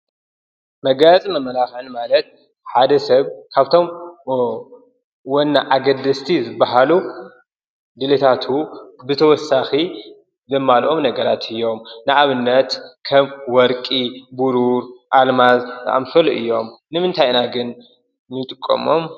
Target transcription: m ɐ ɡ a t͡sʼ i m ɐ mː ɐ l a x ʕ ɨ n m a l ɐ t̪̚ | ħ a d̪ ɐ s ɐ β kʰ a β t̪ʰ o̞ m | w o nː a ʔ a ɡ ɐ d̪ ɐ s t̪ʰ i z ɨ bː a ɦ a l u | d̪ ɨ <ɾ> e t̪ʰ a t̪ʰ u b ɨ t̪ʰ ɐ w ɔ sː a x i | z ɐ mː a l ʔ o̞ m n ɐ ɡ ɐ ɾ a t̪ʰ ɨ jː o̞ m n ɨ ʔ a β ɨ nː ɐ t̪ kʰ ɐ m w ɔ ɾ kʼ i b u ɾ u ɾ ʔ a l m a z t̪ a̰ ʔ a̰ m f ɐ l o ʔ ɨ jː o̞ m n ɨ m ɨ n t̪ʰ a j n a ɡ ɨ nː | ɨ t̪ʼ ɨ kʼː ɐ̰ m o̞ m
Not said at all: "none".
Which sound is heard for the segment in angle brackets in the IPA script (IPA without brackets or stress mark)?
l